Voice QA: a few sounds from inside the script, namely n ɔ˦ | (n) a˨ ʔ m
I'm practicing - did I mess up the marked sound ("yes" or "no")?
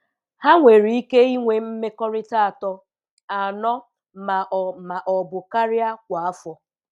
yes